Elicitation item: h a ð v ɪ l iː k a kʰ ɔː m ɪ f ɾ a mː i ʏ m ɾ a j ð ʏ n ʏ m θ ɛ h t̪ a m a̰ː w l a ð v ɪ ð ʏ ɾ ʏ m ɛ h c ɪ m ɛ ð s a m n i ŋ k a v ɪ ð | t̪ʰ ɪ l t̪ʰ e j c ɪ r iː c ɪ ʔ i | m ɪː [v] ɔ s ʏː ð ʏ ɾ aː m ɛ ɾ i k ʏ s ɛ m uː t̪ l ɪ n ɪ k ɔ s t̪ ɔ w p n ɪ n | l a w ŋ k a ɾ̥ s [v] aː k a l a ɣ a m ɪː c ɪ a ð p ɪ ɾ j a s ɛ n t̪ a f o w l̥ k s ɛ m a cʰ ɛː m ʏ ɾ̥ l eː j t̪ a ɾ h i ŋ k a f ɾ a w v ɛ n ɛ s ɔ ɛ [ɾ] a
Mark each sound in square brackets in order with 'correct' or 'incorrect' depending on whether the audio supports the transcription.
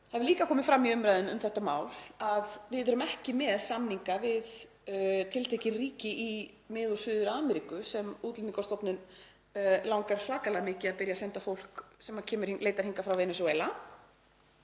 incorrect: ð, correct, incorrect: l

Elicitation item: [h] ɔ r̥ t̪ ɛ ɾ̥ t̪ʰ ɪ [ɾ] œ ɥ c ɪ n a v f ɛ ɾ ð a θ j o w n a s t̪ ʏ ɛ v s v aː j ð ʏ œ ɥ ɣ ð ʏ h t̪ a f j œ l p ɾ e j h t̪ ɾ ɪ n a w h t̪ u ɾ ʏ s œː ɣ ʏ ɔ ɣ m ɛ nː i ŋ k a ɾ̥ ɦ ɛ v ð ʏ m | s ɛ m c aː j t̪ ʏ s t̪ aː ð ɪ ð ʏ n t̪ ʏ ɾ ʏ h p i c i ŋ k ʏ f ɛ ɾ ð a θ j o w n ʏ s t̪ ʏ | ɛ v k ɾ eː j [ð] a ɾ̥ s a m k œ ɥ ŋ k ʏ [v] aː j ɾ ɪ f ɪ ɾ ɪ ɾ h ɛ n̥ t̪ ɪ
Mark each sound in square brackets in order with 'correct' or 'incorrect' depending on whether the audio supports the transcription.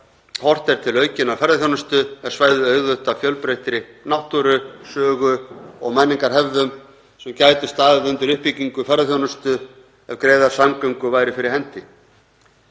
correct, incorrect: l, correct, correct

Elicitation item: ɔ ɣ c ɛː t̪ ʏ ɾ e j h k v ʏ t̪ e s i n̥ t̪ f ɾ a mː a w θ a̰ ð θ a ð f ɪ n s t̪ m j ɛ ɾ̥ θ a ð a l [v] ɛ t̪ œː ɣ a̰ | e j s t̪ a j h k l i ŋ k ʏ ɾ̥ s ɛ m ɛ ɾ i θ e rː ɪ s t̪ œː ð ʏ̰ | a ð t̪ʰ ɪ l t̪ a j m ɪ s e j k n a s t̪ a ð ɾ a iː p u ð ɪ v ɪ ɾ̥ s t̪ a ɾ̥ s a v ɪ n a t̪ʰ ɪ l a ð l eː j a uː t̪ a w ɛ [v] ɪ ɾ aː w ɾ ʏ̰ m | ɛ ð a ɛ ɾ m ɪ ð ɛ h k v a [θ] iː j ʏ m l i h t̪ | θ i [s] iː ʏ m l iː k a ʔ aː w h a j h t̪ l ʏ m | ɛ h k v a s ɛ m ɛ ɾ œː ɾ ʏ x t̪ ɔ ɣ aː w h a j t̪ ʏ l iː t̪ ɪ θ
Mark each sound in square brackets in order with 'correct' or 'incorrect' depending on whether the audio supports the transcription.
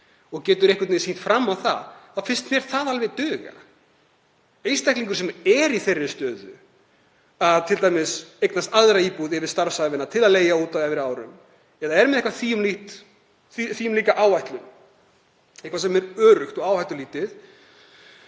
correct, correct, correct, incorrect: θ

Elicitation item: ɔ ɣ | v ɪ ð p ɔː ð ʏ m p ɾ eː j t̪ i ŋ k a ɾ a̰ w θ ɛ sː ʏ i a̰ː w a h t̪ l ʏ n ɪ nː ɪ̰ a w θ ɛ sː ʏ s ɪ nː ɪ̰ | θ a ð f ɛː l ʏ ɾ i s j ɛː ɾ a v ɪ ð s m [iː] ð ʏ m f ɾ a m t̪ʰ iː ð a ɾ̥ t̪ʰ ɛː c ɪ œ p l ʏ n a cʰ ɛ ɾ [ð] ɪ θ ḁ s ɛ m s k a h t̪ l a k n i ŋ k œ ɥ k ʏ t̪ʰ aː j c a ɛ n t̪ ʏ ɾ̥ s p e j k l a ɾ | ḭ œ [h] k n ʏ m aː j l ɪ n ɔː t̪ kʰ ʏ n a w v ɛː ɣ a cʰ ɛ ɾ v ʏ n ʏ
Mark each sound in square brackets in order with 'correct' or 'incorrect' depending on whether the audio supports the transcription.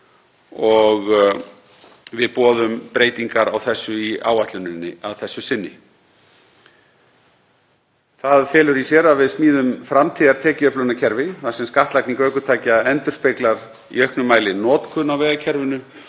correct, incorrect: v, correct

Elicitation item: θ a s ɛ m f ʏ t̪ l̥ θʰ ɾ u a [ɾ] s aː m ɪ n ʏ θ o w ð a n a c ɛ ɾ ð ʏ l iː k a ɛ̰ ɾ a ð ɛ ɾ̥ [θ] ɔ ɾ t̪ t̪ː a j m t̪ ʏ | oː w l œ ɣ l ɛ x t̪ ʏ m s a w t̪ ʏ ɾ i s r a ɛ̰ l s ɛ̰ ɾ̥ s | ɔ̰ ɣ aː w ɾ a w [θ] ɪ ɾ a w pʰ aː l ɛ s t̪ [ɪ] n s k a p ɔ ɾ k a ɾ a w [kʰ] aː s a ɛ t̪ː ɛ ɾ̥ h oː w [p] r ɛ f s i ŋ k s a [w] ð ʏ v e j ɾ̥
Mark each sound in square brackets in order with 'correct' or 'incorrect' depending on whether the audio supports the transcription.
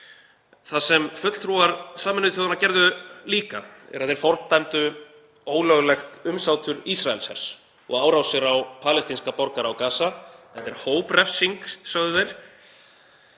correct, incorrect: f, incorrect: s, incorrect: i, incorrect: k, correct, incorrect: ɣ

